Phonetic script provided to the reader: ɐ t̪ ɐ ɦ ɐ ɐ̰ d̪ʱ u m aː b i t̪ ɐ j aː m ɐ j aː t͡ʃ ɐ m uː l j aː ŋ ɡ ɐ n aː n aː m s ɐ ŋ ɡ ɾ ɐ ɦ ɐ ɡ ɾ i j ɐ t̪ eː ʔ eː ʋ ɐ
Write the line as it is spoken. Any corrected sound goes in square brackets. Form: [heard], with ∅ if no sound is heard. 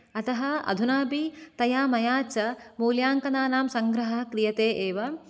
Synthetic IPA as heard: ɐ t̪ ɐ ɦ ɐ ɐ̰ d̪ʱ u [n] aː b i t̪ ɐ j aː m ɐ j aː t͡ʃ ɐ m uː l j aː ŋ [k] ɐ n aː n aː m s ɐ ŋ ɡ ɾ ɐ ɦ ɐ [k] ɾ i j ɐ t̪ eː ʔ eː ʋ ɐ